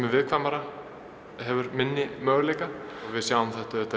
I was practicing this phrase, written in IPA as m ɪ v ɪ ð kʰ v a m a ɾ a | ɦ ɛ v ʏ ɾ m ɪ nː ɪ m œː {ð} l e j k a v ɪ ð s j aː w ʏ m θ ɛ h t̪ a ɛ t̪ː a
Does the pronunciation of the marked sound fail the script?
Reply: yes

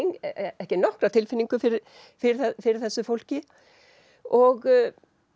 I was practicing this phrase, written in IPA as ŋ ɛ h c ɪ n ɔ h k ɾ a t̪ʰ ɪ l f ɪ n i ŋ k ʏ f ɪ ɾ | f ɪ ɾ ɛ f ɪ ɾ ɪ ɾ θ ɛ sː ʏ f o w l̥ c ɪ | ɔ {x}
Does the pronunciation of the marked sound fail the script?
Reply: yes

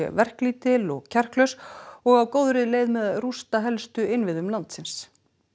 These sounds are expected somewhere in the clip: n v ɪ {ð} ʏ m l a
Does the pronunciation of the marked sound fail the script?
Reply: no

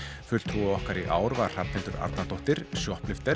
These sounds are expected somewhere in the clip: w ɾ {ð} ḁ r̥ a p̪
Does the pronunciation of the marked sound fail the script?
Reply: yes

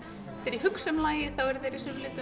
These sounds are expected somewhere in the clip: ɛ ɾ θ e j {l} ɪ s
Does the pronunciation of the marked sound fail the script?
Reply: yes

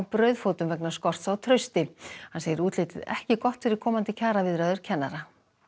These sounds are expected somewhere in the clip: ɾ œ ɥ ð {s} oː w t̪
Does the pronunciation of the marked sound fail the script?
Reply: yes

